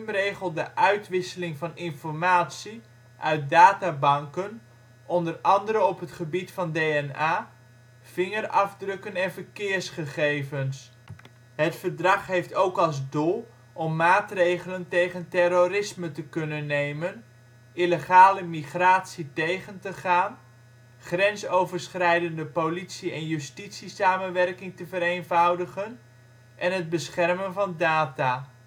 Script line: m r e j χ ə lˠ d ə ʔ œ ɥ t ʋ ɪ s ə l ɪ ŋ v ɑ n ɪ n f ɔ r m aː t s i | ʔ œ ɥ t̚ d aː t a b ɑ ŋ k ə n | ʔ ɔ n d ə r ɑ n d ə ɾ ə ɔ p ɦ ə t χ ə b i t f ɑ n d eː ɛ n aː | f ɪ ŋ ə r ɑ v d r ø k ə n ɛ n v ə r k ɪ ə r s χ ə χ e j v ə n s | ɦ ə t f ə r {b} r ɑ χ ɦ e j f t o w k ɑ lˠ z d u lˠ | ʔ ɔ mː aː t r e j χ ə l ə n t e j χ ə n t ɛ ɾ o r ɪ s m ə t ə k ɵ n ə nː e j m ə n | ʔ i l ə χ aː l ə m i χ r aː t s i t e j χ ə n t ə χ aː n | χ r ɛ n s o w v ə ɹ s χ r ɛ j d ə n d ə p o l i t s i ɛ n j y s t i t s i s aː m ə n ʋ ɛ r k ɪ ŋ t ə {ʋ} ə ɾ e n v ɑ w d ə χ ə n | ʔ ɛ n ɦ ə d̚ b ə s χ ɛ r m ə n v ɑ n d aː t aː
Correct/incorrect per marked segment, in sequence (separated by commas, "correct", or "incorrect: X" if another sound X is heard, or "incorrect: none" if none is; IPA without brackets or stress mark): incorrect: d, incorrect: v